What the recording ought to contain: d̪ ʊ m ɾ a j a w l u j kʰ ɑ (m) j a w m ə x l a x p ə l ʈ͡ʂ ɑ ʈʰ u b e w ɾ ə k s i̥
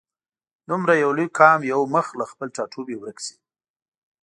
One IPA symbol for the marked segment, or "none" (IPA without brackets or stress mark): m